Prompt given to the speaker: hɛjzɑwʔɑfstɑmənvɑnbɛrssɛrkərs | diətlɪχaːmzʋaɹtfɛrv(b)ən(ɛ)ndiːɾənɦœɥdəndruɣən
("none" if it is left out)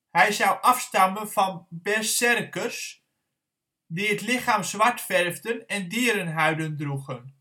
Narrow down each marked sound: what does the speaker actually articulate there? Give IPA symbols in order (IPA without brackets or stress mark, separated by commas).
d, ɛ